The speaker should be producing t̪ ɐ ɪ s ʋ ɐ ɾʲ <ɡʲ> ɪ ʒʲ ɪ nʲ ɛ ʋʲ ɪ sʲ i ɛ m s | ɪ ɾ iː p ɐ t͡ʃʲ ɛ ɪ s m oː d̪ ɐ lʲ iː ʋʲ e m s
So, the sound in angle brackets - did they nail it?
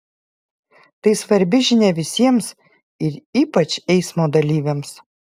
no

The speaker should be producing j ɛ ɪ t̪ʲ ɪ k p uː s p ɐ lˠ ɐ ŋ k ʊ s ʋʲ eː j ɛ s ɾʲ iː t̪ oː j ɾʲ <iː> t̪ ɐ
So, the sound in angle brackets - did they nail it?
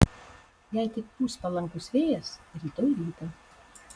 yes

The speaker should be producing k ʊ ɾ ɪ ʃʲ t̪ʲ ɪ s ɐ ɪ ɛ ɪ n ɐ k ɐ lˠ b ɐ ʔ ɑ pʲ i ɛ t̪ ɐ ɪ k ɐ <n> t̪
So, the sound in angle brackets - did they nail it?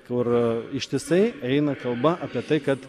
no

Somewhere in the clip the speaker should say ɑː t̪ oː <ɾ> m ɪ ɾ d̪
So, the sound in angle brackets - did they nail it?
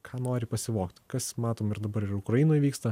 no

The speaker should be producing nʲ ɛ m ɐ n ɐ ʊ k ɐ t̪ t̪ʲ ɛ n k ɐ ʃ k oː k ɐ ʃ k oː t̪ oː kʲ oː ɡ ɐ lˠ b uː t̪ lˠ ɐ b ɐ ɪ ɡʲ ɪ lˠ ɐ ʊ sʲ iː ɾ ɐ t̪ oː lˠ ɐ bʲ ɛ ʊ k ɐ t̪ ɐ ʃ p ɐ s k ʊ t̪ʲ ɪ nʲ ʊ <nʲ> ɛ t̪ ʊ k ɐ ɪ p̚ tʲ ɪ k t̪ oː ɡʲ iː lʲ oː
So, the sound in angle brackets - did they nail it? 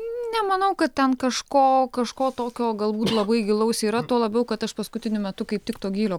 no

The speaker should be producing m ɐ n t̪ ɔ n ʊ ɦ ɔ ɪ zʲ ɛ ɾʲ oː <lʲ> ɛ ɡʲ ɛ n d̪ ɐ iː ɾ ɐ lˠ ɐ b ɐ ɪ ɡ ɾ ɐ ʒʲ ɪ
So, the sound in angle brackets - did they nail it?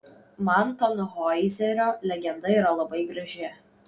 yes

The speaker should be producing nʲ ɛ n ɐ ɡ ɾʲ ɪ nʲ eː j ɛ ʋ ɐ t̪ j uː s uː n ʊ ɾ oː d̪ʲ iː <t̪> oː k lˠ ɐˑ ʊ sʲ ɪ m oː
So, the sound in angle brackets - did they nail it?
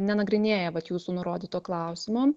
yes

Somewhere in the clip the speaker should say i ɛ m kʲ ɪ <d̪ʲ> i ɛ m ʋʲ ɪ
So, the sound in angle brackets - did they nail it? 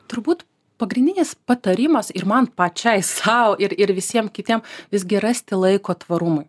no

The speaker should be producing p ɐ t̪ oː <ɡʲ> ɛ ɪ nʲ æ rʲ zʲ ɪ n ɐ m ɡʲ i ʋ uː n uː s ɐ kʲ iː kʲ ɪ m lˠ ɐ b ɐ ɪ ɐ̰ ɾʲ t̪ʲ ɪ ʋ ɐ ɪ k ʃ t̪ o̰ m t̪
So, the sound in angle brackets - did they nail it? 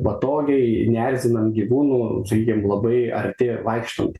yes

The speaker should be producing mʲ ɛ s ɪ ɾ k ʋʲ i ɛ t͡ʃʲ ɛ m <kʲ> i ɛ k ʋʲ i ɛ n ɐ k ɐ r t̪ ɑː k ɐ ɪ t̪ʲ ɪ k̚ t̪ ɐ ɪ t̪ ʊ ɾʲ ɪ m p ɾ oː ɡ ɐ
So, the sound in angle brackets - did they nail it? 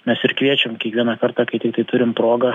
yes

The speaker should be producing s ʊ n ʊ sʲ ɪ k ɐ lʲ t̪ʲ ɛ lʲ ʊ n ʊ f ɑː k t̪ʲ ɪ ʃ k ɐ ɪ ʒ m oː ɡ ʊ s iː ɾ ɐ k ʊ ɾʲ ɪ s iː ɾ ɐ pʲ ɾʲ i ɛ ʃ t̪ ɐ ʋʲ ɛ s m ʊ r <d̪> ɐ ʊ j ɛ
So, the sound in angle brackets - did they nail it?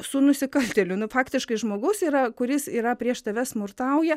no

